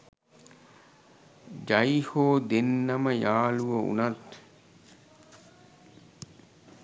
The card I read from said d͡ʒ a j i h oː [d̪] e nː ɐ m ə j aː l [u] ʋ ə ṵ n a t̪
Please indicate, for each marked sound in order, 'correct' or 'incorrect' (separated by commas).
correct, correct